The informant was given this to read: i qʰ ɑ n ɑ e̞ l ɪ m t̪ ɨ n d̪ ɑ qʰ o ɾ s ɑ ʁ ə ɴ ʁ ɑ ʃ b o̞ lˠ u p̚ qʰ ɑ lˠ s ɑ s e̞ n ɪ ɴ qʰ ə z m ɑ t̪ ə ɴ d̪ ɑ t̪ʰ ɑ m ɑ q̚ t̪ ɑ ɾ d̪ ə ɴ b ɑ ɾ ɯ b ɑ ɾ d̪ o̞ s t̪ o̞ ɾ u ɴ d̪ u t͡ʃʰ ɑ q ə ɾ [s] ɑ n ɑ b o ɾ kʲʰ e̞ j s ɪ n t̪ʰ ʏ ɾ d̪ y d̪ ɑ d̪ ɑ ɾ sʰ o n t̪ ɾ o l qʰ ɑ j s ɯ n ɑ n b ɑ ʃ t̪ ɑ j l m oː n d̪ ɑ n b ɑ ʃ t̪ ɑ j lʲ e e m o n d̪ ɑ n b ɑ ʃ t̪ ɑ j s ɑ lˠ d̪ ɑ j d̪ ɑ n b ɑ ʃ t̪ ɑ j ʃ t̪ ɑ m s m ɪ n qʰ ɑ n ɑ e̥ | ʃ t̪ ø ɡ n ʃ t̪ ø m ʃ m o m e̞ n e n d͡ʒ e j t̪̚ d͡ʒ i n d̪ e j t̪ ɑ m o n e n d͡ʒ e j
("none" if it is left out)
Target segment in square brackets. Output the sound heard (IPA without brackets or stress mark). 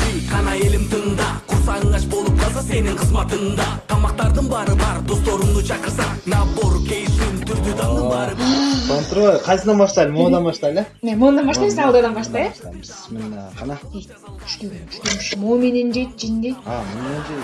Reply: s